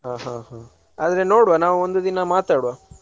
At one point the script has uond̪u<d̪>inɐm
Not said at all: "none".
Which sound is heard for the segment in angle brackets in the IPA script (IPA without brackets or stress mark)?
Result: d̪